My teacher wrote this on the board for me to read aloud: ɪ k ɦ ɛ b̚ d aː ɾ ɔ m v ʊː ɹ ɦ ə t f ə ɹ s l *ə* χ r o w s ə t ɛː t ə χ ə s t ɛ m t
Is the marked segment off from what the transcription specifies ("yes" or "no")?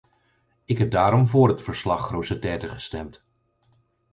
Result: yes